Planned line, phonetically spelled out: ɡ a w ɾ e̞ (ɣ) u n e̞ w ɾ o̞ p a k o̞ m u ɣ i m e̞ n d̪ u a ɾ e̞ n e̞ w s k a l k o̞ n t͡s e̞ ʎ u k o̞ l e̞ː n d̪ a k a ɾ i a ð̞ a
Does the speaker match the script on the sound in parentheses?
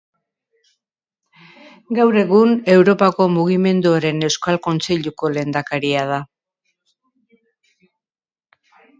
yes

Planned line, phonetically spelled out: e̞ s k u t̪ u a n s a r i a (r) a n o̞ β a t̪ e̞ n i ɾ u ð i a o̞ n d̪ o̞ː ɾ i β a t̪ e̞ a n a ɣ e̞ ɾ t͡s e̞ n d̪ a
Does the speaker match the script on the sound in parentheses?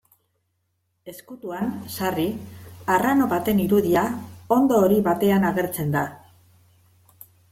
yes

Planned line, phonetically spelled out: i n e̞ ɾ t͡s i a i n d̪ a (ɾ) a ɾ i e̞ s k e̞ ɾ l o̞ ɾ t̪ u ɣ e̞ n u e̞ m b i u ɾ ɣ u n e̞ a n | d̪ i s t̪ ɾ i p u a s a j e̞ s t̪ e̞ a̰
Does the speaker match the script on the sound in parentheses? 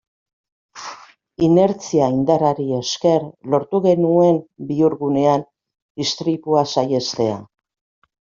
yes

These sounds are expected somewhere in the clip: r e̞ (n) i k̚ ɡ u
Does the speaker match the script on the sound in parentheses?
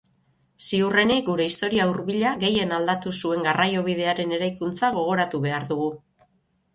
yes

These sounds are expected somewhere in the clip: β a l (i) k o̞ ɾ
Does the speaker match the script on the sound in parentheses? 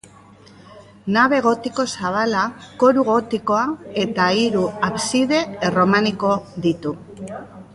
no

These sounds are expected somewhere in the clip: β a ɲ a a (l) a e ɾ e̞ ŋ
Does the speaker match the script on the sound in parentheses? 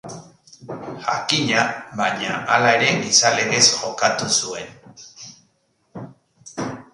yes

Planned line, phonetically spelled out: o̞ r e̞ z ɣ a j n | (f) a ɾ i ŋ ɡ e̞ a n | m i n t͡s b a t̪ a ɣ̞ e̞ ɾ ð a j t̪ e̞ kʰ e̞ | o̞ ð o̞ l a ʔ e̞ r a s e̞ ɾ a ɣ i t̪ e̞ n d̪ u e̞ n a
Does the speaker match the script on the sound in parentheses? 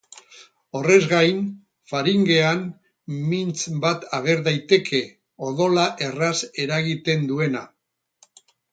yes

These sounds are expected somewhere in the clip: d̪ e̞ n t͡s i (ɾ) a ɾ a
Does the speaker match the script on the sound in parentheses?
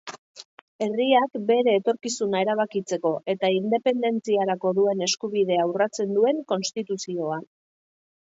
no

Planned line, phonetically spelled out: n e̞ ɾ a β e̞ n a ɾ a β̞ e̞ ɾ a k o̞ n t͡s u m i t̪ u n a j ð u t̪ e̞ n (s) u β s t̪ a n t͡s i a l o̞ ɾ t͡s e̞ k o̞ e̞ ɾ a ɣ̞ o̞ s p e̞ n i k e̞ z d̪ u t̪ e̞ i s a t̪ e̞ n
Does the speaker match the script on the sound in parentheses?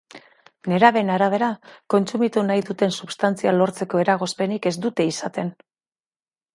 yes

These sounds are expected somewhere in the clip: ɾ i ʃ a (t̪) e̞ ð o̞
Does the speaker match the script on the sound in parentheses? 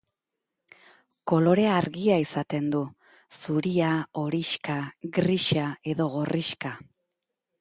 no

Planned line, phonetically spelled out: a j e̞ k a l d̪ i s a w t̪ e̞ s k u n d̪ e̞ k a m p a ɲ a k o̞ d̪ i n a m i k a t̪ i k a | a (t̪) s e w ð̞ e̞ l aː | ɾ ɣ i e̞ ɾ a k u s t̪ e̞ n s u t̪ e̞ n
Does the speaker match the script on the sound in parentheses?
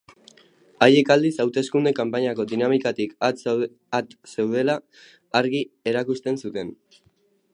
yes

